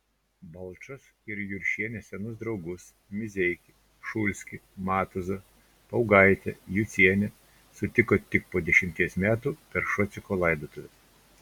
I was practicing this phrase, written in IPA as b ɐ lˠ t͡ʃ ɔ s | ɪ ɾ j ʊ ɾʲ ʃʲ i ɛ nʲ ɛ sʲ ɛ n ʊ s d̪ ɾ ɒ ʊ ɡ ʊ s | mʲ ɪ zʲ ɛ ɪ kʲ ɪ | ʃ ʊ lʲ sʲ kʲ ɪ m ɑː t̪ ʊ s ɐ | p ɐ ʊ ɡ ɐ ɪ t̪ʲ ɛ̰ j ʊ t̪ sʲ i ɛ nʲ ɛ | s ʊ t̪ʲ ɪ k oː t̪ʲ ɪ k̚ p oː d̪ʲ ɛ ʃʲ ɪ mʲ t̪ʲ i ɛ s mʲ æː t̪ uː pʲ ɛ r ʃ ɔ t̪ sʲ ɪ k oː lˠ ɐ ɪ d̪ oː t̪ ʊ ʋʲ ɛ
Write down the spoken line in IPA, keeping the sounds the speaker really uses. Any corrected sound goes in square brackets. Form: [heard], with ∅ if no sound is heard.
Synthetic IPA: b ɐ lˠ t͡ʃ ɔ s | ɪ ɾ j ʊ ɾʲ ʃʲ i ɛ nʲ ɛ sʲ ɛ n ʊ s d̪ ɾ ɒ ʊ ɡ ʊ s | mʲ ɪ zʲ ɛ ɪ kʲ ɪ | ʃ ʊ lʲ sʲ kʲ ɪ m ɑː t̪ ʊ [z] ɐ | p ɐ ʊ ɡ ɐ ɪ t̪ʲ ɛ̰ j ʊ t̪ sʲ i ɛ nʲ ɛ | s ʊ t̪ʲ ɪ k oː t̪ʲ ɪ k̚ p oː d̪ʲ ɛ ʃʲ ɪ mʲ t̪ʲ i ɛ s mʲ æː t̪ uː pʲ ɛ [ɾ] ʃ ɔ t̪ sʲ ɪ k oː lˠ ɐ ɪ d̪ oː t̪ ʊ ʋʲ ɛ

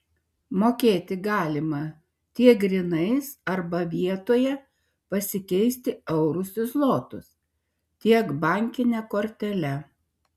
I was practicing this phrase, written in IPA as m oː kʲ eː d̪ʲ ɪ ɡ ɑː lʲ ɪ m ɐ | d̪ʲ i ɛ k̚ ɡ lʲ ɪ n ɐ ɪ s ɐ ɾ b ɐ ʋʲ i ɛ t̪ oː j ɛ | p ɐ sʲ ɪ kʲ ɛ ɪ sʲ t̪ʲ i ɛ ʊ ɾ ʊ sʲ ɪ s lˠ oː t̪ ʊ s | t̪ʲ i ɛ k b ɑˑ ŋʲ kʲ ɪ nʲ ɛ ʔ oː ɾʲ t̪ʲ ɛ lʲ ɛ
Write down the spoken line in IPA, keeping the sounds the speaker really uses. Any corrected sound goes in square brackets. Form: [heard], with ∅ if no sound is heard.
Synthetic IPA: m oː kʲ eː [t̪ʲ] ɪ ɡ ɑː lʲ ɪ m ɐ | [t̪ʲ] i ɛ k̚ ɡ [ɾʲ] ɪ n ɐ ɪ s ɐ ɾ b ɐ ʋʲ i ɛ t̪ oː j ɛ | p ɐ sʲ ɪ kʲ ɛ ɪ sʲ t̪ʲ [ɪ] ɛ ʊ ɾ ʊ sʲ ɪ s lˠ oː t̪ ʊ s | t̪ʲ i ɛ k b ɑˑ ŋʲ kʲ ɪ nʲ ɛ [k] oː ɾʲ t̪ʲ ɛ lʲ ɛ

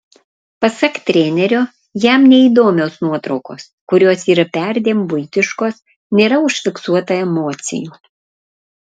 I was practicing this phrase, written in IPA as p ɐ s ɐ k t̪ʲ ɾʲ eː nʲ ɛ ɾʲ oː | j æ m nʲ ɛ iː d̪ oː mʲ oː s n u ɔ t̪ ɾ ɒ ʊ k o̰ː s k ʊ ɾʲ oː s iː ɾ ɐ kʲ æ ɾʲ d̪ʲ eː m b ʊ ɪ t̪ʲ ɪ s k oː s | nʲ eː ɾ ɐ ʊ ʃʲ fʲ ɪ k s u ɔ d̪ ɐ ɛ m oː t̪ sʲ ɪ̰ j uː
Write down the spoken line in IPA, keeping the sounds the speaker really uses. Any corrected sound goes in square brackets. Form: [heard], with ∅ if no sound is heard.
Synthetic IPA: p ɐ s ɐ k t̪ʲ ɾʲ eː nʲ ɛ ɾʲ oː | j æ m nʲ ɛ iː d̪ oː mʲ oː s n u ɔ t̪ ɾ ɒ ʊ k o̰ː s k ʊ ɾʲ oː s iː ɾ ɐ [pʲ] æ ɾʲ d̪ʲ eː m b ʊ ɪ t̪ʲ ɪ [ʃ] k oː s | nʲ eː ɾ ɐ ʊ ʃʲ fʲ ɪ k s u ɔ [t̪] ɐ ɛ m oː t̪ sʲ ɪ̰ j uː

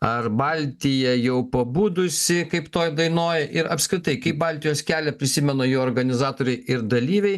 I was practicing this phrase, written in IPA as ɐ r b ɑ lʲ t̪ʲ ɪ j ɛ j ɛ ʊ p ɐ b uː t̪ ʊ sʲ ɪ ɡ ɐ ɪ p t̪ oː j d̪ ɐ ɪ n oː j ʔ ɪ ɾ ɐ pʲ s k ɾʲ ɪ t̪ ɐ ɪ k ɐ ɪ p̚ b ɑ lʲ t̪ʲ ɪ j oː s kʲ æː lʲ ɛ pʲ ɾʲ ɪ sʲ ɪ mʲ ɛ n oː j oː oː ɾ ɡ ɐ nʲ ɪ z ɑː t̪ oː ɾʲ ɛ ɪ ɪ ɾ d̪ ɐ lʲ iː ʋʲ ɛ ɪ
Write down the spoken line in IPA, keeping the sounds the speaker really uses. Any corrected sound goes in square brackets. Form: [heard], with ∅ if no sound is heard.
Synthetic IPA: ɐ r b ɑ lʲ t̪ʲ ɪ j ɛ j ɛ ʊ p ɐ b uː [d̪] ʊ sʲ ɪ [k] ɐ ɪ p t̪ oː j d̪ ɐ ɪ n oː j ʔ ɪ ɾ ɐ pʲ s k ɾʲ ɪ t̪ ɐ ɪ k ɐ ɪ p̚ b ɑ lʲ t̪ʲ ɪ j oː s kʲ æː lʲ ɛ pʲ ɾʲ ɪ sʲ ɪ mʲ ɛ n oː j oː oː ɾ ɡ ɐ nʲ ɪ z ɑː t̪ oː ɾʲ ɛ ɪ ɪ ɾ d̪ ɐ lʲ iː ʋʲ ɛ ɪ

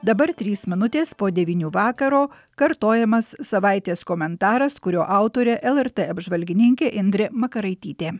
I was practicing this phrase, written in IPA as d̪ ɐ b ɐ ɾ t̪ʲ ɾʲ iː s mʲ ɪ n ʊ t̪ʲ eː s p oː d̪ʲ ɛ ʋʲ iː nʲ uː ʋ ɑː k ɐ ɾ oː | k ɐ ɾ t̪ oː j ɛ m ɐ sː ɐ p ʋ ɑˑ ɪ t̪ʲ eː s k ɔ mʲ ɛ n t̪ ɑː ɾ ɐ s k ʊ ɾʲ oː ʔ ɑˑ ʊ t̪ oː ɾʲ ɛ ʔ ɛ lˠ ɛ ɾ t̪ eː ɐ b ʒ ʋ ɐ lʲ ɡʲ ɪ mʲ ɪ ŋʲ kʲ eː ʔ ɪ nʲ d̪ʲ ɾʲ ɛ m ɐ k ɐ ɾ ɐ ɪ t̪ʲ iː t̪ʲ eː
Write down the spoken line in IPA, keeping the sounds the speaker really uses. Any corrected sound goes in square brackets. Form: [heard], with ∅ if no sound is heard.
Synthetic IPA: d̪ ɐ b ɐ ɾ t̪ʲ ɾʲ iː s mʲ ɪ n ʊ t̪ʲ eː s p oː d̪ʲ ɛ ʋʲ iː nʲ uː ʋ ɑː k ɐ ɾ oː | k ɐ ɾ t̪ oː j ɛ m ɐ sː ɐ [∅] ʋ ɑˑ ɪ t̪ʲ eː s k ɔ mʲ ɛ n t̪ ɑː ɾ ɐ s k ʊ ɾʲ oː ʔ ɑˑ ʊ t̪ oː ɾʲ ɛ ʔ ɛ lˠ ɛ ɾ t̪ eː ɐ b ʒ ʋ ɐ lʲ ɡʲ ɪ [nʲ] ɪ ŋʲ kʲ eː ʔ ɪ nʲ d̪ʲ ɾʲ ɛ m ɐ k ɐ ɾ ɐ ɪ t̪ʲ iː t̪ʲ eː

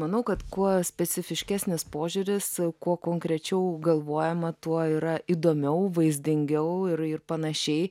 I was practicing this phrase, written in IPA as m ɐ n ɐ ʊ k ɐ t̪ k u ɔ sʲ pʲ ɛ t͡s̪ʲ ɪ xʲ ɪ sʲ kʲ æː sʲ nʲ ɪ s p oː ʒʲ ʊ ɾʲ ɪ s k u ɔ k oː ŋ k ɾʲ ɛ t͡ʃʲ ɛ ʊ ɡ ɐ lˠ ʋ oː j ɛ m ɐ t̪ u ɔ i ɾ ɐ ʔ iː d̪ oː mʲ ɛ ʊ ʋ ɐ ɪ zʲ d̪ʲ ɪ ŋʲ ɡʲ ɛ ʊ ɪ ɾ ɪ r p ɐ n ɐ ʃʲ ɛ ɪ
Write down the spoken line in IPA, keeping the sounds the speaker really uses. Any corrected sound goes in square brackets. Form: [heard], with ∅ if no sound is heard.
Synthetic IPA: m ɐ n ɐ ʊ k ɐ t̪ k u ɔ sʲ pʲ ɛ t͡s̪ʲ ɪ [fʲ] ɪ [ʃʲ] kʲ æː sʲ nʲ ɪ s p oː ʒʲ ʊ ɾʲ ɪ s k u ɔ k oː ŋ k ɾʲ ɛ t͡ʃʲ ɛ ʊ ɡ ɐ lˠ ʋ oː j ɛ m ɐ t̪ u ɔ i ɾ ɐ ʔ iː d̪ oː mʲ ɛ ʊ ʋ ɐ ɪ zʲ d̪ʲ ɪ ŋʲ ɡʲ ɛ ʊ ɪ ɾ ɪ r p ɐ n ɐ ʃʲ ɛ ɪ

